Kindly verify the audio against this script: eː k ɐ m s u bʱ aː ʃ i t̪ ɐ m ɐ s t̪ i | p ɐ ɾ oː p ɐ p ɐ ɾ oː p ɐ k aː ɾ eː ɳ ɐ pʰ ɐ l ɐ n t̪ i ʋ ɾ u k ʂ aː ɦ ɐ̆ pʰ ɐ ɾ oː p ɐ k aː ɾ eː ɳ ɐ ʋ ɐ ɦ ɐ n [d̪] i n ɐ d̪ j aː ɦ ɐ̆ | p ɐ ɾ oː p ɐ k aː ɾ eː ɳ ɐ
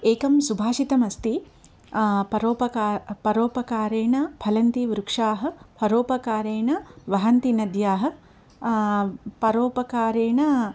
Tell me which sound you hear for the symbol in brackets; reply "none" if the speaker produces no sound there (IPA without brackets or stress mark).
t̪